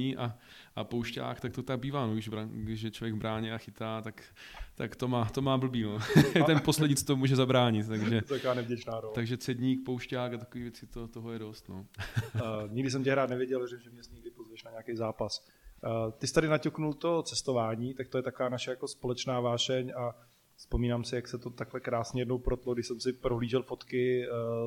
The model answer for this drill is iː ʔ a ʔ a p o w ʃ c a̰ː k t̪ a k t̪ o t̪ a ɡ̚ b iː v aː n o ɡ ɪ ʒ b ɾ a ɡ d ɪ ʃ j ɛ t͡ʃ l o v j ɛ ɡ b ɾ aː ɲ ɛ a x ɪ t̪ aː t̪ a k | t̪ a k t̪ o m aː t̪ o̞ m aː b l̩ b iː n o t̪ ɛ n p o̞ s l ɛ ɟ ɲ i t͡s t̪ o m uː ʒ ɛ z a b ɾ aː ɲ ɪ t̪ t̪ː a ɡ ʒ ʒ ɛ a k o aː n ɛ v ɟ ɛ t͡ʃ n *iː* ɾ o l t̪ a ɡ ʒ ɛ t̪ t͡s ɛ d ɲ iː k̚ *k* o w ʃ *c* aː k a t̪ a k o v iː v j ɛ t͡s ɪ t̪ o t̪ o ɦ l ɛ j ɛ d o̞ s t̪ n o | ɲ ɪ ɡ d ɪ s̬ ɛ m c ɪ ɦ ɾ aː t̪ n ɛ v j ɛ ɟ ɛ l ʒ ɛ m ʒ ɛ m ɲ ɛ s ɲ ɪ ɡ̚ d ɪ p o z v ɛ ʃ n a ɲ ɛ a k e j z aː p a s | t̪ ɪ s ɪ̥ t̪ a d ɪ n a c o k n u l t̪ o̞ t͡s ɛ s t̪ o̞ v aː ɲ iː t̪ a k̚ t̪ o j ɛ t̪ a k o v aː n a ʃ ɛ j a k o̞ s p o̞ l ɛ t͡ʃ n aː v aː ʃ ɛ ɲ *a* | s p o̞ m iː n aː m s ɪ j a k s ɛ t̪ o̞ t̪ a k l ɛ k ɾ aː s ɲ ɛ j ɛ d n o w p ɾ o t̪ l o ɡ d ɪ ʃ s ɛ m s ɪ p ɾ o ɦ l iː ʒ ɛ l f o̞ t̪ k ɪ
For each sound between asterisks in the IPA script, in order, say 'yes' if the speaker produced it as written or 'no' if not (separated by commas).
no, no, yes, yes